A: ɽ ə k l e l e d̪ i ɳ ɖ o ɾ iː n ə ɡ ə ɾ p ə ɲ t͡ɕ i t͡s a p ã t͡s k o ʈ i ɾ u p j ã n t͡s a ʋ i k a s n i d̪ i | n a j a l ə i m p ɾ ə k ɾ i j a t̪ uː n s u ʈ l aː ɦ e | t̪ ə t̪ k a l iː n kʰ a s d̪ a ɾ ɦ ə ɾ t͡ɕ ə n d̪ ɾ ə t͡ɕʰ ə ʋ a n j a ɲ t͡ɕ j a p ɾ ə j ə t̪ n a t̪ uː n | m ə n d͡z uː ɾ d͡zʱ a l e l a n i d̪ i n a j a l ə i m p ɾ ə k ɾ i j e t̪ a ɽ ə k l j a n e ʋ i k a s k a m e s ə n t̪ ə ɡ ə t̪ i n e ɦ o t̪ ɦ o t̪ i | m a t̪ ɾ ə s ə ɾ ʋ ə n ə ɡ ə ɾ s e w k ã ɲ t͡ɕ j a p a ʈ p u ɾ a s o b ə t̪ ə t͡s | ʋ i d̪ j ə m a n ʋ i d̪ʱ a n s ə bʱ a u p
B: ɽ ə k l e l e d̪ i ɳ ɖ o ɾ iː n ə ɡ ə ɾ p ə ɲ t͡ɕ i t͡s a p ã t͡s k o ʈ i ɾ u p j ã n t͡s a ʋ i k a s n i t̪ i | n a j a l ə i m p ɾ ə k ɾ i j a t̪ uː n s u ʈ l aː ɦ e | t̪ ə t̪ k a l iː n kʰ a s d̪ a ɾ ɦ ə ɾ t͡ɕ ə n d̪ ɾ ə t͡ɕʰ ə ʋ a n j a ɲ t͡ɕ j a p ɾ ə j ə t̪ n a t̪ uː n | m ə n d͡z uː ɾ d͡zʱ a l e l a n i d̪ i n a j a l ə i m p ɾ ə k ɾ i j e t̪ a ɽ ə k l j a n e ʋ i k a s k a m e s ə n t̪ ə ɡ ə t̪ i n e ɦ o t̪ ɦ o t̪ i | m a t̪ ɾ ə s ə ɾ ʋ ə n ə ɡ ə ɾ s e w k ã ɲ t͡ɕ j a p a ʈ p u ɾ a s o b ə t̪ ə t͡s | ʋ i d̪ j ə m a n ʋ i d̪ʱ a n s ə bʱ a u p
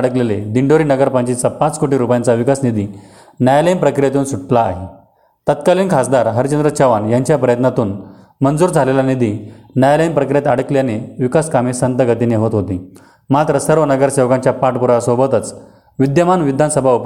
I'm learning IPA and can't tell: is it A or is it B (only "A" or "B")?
A